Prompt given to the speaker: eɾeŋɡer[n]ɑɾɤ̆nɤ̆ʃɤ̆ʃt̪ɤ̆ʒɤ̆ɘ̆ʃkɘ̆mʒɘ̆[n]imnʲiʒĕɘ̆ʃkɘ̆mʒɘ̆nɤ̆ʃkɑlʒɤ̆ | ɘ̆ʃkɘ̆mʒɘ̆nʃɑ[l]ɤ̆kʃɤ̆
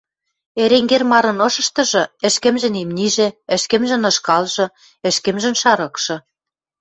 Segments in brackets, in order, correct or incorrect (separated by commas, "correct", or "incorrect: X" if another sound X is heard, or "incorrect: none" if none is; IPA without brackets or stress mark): incorrect: m, correct, incorrect: ɾ